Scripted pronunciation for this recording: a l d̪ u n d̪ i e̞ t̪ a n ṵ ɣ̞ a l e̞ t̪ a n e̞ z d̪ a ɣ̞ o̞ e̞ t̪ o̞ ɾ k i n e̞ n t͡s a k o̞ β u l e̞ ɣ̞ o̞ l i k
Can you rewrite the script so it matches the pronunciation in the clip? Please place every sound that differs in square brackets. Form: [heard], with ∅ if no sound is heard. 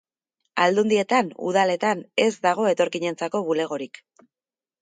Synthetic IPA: a l d̪ u n d̪ i e̞ t̪ a n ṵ [ð̞] a l e̞ t̪ a n e̞ z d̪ a ɣ̞ o̞ e̞ t̪ o̞ ɾ k i [ɲ] e̞ n t͡s a k o̞ β u l e̞ ɣ̞ o̞ [ɾ] i k